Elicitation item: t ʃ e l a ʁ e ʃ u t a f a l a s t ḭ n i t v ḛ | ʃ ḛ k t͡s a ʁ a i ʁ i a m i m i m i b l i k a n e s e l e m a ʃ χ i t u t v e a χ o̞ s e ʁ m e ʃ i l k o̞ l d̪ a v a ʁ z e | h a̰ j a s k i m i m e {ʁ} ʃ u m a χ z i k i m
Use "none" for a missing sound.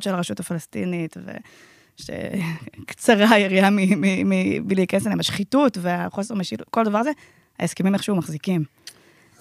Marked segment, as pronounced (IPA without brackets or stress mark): χ